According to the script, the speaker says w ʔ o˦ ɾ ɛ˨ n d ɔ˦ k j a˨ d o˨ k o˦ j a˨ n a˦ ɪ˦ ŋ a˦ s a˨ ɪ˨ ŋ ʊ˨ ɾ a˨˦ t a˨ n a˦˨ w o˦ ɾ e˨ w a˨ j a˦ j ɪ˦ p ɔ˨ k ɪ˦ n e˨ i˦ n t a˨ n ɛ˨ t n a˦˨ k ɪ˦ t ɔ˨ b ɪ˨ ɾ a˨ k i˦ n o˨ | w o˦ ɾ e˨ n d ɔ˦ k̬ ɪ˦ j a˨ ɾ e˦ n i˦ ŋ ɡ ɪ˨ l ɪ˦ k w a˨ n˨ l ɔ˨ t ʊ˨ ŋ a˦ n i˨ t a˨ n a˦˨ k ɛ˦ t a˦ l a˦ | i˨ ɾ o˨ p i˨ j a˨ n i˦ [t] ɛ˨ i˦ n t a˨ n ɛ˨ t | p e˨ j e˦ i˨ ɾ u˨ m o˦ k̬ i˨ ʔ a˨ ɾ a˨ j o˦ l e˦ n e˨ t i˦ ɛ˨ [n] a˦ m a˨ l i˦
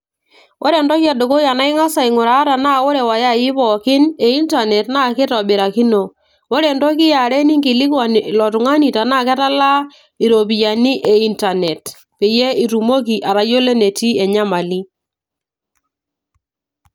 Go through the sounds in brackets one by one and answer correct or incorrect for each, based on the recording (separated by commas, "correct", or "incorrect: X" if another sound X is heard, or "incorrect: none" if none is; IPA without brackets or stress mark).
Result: incorrect: ʔ, incorrect: ɲ